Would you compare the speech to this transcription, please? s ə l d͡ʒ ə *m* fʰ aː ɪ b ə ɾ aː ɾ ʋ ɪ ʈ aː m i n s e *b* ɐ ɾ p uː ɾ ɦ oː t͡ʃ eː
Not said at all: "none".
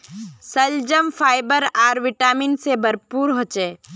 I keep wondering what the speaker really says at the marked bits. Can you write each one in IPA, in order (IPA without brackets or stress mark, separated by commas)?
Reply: m, b